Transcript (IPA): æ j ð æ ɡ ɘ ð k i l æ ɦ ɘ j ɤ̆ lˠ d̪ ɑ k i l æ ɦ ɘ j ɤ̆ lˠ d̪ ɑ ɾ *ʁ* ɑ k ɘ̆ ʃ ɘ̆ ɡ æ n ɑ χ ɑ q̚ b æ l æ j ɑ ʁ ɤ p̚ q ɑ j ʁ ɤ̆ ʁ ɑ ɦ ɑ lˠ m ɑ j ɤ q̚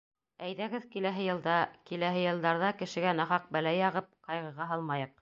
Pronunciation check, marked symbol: incorrect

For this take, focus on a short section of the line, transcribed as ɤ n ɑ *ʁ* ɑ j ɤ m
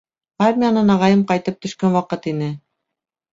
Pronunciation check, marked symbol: correct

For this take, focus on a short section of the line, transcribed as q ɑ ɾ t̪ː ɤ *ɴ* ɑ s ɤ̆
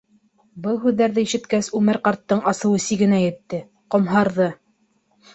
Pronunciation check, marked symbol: correct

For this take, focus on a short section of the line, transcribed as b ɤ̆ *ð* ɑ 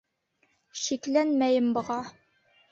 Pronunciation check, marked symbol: incorrect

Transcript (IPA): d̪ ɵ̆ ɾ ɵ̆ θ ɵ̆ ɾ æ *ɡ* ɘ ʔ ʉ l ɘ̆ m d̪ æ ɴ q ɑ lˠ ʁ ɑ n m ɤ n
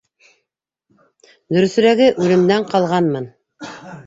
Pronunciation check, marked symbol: correct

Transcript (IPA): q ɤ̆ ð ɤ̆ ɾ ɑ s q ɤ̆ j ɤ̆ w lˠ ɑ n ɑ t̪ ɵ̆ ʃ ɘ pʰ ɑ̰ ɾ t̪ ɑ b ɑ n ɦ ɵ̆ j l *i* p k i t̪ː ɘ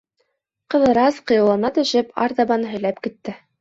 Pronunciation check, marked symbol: incorrect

